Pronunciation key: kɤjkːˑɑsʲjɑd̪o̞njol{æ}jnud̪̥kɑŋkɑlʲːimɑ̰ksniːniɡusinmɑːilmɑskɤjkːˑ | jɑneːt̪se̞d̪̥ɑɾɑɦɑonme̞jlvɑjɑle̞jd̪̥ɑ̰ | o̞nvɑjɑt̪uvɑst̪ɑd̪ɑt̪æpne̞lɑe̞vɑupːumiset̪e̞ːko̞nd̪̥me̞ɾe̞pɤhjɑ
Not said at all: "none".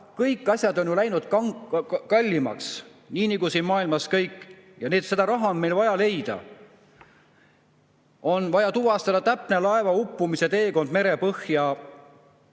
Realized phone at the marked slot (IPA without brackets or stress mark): æ